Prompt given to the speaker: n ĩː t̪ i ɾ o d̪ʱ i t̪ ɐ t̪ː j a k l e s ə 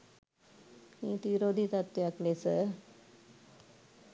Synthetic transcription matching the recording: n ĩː t̪ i ɾ o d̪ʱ i t̪ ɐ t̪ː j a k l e s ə